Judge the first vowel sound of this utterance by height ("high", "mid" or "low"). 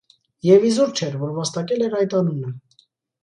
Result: mid